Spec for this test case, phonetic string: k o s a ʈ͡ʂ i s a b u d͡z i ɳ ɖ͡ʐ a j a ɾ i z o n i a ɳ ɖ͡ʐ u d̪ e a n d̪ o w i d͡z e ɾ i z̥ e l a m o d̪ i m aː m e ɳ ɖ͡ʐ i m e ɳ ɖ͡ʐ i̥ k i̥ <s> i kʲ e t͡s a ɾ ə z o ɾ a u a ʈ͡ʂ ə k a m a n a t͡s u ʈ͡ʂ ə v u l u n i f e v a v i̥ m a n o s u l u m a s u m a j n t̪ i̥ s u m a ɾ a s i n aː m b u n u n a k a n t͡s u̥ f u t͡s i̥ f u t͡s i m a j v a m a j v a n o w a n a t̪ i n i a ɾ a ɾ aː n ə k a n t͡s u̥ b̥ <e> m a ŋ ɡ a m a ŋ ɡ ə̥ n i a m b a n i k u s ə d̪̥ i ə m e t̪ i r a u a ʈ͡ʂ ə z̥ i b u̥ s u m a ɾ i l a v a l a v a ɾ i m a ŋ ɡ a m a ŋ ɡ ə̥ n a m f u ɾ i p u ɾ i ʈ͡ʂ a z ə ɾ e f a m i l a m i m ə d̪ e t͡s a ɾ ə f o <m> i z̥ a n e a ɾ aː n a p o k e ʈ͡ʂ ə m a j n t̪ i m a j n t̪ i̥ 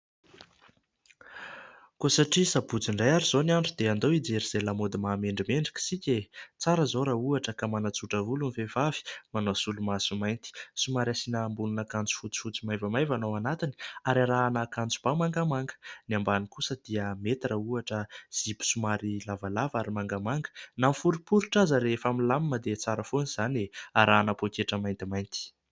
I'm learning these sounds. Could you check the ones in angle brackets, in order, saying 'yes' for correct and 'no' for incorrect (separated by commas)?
yes, no, no